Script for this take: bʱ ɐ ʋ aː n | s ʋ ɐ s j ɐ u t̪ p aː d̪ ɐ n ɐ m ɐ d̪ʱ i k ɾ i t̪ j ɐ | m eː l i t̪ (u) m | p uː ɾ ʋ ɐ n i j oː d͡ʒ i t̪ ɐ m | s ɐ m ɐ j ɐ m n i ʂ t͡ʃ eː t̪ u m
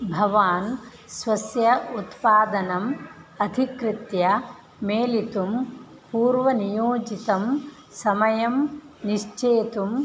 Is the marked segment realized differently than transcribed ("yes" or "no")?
no